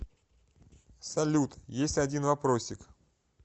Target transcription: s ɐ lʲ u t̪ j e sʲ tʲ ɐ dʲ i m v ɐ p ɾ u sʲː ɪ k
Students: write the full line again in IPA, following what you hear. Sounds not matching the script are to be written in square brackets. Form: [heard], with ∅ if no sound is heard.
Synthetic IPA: s ɐ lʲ u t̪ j e sʲ tʲ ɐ dʲ i [n] v ɐ p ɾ [o] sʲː ɪ k

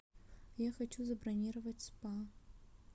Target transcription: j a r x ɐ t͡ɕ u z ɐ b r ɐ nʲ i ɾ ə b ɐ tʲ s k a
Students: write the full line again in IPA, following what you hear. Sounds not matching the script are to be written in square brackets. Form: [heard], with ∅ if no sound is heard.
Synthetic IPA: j a [∅] x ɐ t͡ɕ u z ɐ b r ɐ nʲ i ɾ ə [v] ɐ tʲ s [p] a

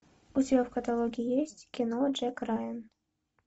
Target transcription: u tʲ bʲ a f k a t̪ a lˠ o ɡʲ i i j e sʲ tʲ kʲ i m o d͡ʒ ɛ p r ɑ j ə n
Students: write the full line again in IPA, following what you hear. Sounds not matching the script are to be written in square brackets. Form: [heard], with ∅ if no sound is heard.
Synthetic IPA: u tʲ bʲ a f k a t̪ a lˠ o ɡʲ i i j e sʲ tʲ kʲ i [n] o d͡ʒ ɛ [k] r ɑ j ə n

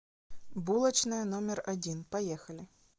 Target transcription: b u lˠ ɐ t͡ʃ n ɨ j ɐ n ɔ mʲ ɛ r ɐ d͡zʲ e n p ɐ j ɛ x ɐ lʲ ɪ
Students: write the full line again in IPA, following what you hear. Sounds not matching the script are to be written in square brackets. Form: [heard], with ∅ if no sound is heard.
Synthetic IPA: b u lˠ ɐ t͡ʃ n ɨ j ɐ n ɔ mʲ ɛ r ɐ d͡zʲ [i] n p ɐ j ɛ x ɐ lʲ ɪ

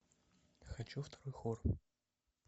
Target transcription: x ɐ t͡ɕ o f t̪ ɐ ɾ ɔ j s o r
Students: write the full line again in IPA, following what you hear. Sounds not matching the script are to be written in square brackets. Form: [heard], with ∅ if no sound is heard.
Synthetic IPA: x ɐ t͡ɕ [u] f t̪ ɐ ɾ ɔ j [x] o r

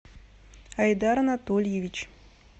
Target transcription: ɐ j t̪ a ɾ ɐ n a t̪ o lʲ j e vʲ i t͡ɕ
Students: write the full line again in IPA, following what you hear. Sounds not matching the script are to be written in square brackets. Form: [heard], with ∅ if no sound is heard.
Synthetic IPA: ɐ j [d̪] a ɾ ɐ n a t̪ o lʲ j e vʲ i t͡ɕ

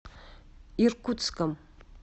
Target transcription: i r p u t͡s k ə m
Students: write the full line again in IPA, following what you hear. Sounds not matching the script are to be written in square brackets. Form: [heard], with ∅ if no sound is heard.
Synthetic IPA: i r [k] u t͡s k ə m

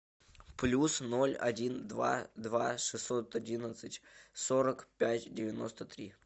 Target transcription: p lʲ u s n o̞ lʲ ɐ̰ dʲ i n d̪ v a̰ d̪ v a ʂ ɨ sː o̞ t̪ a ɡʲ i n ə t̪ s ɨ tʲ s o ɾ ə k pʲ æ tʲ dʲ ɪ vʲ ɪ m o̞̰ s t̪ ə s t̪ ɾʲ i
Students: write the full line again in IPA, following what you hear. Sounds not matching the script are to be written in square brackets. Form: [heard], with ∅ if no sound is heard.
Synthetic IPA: p lʲ u s n o̞ lʲ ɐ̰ dʲ i n d̪ v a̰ d̪ v a ʂ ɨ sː o̞ t̪ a [dʲ] i n ə t̪ s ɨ tʲ s o ɾ ə k pʲ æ tʲ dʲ ɪ vʲ ɪ [n] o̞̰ s t̪ ə [∅] t̪ ɾʲ i

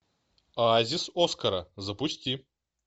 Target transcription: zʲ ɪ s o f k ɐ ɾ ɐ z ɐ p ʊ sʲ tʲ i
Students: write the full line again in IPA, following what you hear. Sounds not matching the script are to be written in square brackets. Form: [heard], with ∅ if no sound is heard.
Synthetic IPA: zʲ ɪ s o [s] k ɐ ɾ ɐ z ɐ p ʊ sʲ tʲ i

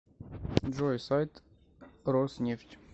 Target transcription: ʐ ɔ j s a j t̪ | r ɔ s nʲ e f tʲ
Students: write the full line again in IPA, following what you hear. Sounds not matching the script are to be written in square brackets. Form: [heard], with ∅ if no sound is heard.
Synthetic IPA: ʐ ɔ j s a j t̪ | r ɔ s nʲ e f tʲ

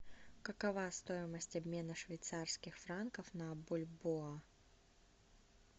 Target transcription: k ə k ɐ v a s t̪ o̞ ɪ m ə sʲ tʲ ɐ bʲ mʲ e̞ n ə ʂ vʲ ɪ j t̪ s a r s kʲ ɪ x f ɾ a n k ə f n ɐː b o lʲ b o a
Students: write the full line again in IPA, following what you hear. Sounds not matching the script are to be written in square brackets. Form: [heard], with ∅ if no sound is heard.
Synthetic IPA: k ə k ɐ v a s t̪ o̞ ɪ m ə sʲ tʲ ɐ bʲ mʲ e̞ n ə ʂ vʲ ɪ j t̪ s a r s kʲ ɪ x f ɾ a n k ə f n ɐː b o lʲ b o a

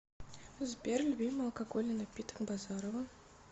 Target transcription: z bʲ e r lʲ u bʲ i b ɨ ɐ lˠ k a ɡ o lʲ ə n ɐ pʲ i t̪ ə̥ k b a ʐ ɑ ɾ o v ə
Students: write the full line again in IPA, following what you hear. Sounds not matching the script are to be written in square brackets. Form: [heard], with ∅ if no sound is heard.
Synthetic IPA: z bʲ e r lʲ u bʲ i [m] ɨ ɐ lˠ k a ɡ o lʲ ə n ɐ pʲ i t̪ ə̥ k b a [z] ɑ ɾ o v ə

